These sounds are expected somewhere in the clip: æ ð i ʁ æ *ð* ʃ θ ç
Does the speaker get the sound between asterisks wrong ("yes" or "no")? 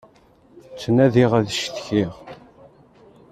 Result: no